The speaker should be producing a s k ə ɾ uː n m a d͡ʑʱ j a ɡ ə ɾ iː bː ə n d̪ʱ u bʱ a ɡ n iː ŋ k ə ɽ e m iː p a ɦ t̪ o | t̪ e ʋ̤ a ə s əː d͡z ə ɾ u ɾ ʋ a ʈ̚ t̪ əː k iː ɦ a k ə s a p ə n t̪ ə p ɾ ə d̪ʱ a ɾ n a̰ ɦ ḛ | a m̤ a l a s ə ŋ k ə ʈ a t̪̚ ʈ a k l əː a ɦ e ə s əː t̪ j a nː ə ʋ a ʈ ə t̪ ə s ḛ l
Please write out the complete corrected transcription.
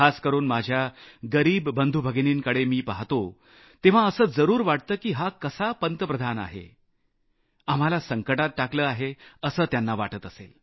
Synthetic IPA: a s k ə ɾ uː n m a d͡ʑʱ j a ɡ ə ɾ iː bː ə n d̪ʱ u bʱ ə ɡ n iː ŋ k ə ɽ e m iː p a ɦ t̪ o | t̪ e ʋ̤ a ə s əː d͡z ə ɾ uː ɾ ʋ a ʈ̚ t̪ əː k iː ɦ a k ə s a p ə n t̪ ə p ɾ ə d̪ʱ a n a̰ ɦ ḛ | a m̤ a l a s ə ŋ k ə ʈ a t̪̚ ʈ a k l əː a ɦ e ə s əː t̪ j a nː a ʋ a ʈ ə t̪ ə s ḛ l